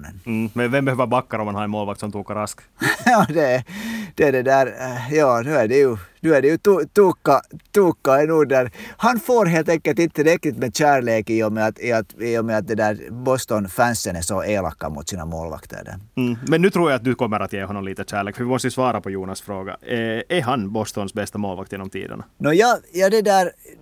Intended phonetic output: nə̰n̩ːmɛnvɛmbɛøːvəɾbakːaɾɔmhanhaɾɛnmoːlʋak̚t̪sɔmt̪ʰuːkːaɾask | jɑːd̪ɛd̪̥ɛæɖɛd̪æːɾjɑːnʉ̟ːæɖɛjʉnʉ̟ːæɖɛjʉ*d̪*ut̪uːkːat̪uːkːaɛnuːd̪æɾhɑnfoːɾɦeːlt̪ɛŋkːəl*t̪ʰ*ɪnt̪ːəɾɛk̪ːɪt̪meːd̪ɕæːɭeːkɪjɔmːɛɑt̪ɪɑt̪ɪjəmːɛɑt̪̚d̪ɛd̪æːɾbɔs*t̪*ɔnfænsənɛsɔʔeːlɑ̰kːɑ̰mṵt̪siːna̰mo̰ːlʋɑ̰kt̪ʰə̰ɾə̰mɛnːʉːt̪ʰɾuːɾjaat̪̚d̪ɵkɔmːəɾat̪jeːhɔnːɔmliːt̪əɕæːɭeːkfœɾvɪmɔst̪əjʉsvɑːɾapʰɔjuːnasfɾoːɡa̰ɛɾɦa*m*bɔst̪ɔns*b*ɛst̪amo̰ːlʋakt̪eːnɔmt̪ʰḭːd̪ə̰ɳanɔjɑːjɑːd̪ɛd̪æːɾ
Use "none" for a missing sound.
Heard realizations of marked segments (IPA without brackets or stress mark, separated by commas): t̪, t̪, t̪, n, b